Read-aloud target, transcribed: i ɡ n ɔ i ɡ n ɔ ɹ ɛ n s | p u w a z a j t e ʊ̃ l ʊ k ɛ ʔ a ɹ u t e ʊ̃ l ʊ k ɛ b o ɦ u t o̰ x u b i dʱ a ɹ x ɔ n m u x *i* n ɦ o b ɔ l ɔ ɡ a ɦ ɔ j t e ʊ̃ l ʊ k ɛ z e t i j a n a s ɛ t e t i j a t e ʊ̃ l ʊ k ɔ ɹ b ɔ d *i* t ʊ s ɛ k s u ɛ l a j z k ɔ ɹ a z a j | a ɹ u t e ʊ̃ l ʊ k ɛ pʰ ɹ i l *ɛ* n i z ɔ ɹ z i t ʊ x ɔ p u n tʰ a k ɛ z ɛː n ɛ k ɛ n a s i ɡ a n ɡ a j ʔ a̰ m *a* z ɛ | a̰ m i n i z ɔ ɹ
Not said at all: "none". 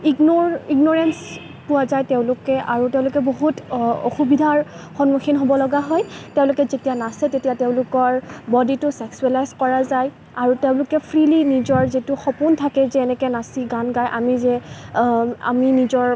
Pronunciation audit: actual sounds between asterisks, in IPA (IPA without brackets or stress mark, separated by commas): i, i, i, i